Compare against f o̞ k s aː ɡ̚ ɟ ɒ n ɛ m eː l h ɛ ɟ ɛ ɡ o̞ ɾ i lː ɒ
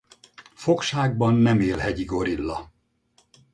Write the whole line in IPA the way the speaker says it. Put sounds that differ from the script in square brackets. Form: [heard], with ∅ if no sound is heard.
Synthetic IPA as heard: f o̞ k [ʃ] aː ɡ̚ [b] ɒ [nː] ɛ m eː l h ɛ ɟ [i] ɡ o̞ ɾ i lː ɒ